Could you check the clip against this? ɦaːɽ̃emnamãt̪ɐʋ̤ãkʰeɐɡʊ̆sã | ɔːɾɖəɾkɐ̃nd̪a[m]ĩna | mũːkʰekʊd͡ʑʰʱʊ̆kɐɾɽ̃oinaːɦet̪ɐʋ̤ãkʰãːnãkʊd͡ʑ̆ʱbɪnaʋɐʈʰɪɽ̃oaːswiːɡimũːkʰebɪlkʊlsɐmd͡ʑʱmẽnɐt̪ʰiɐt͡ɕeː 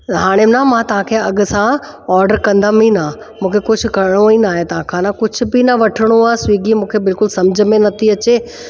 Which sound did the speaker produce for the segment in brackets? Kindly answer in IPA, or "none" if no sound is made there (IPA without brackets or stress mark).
m